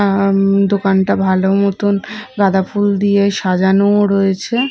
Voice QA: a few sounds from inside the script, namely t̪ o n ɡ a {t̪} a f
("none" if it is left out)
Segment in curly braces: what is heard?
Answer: d̪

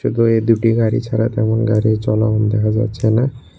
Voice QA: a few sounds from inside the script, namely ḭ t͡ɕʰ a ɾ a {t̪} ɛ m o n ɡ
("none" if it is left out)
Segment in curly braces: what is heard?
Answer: t̪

